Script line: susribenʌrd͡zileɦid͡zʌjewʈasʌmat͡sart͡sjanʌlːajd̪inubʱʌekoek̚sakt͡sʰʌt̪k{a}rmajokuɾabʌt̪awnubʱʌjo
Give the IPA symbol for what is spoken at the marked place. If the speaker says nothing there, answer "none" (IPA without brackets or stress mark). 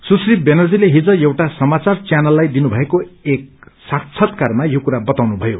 a